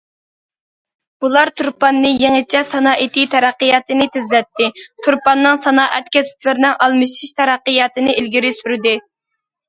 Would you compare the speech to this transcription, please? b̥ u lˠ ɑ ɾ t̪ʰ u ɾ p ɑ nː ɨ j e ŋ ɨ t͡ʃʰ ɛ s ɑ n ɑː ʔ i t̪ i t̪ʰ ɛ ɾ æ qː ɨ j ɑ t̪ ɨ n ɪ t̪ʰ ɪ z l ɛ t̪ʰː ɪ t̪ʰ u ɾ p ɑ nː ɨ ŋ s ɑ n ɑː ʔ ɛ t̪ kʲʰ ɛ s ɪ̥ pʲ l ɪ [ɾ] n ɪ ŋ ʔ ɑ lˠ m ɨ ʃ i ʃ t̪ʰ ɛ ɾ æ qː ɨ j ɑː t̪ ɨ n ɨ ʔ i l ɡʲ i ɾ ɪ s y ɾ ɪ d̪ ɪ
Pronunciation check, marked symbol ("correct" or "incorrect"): correct